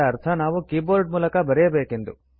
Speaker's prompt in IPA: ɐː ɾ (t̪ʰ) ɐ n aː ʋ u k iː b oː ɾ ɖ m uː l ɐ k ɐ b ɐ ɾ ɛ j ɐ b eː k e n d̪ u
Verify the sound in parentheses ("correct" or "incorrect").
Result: correct